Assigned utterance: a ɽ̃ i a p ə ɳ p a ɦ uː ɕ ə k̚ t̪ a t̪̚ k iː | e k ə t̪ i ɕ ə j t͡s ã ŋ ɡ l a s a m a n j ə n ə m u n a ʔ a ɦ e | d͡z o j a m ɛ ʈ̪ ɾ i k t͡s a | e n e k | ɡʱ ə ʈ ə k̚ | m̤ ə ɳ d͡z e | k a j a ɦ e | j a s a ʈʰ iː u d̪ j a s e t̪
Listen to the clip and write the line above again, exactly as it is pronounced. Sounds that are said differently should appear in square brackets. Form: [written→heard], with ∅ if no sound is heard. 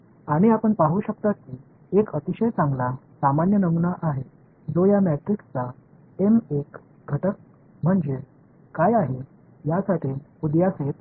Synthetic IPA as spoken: a ɽ̃ i a p ə ɳ p a ɦ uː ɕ ə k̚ t̪ a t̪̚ k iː | e k ə t̪ i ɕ ə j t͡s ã ŋ ɡ l a s a m a n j ə n ə m u n a ʔ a ɦ e | d͡z o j a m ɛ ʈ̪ ɾ i k t͡s a | e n e k | ɡʱ ə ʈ ə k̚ | m̤ ə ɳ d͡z e | k a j a ɦ e | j a s a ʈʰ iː u d̪ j a s e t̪